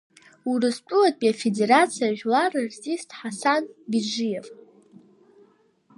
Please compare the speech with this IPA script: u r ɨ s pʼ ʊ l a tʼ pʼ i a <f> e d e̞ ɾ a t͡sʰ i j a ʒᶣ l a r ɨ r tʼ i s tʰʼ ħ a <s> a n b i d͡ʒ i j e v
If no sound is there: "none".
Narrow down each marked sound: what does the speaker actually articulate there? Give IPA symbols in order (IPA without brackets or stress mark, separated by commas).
f, s